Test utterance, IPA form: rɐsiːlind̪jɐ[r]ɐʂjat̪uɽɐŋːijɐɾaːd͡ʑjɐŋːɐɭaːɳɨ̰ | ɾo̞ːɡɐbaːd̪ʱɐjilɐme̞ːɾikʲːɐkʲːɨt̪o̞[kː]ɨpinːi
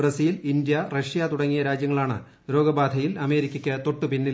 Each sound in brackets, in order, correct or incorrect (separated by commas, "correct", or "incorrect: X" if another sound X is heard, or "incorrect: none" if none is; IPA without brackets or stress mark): correct, incorrect: ʈː